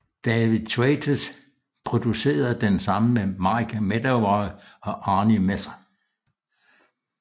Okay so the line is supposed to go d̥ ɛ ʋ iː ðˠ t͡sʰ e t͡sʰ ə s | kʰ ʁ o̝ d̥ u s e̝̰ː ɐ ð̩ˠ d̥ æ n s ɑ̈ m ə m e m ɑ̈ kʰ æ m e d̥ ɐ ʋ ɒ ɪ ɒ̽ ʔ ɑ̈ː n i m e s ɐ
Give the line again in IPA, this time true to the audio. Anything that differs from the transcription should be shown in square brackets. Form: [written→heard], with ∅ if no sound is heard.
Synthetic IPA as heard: d̥ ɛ ʋ [iː→i] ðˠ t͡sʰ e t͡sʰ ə s | [kʰ→pʰ] ʁ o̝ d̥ u s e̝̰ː ɐ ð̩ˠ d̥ [æ→e] n s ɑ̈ m ə m e m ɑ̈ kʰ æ m e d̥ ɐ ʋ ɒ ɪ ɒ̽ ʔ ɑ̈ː n i m e s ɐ